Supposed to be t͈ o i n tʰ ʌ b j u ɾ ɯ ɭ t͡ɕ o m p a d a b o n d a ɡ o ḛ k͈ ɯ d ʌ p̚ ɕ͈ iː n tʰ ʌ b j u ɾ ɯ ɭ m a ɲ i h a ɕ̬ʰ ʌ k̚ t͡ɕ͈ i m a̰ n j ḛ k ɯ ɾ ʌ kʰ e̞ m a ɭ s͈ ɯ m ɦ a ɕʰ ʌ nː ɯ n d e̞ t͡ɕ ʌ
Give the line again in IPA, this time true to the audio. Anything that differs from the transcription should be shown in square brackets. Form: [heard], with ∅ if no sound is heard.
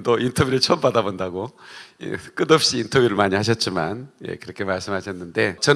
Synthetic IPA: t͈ o i n tʰ ʌ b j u ɾ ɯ ɭ [t͡ɕʰ] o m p a d a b o n d a ɡ o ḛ k͈ ɯ d ʌ p̚ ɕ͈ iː n tʰ ʌ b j u ɾ ɯ ɭ m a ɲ i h a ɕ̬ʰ ʌ [t̚] t͡ɕ͈ i m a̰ n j ḛ k ɯ ɾ ʌ kʰ e̞ m a ɭ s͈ ɯ m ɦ a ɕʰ ʌ nː ɯ n d e̞ t͡ɕ ʌ